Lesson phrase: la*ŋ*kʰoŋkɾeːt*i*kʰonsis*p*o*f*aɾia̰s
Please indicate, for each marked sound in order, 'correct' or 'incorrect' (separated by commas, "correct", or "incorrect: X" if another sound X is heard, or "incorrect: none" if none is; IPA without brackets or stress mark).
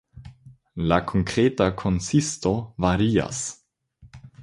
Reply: incorrect: none, incorrect: a, incorrect: t, incorrect: v